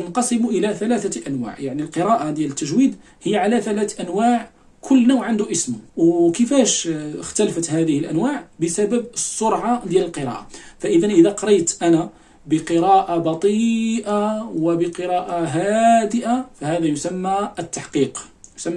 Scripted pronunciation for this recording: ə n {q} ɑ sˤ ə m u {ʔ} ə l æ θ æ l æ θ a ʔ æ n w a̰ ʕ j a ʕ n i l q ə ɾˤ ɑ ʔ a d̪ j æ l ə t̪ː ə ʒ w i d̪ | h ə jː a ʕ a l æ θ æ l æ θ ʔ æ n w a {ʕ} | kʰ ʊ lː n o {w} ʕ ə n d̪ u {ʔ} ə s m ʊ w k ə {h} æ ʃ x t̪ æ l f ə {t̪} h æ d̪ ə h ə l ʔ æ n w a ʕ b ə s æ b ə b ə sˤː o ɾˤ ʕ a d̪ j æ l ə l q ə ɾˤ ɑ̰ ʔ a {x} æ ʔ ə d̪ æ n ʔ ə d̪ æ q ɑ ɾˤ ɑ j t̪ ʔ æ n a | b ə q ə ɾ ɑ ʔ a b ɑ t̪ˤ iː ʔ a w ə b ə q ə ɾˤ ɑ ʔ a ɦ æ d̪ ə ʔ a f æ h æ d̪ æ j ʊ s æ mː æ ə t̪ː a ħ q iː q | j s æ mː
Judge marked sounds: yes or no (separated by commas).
yes, yes, yes, yes, yes, no, yes, no